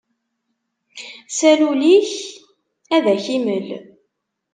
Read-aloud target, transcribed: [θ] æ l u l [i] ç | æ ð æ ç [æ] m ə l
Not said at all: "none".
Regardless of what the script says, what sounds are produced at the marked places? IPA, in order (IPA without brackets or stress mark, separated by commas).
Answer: s, i, i